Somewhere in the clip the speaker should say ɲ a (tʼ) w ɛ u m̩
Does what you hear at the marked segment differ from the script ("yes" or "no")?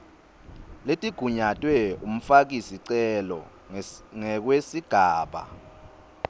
no